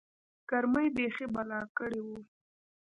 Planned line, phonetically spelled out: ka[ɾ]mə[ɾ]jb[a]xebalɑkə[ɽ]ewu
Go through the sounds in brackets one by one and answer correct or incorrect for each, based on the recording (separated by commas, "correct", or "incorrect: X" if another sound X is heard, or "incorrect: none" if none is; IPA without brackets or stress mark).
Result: correct, incorrect: none, incorrect: e, correct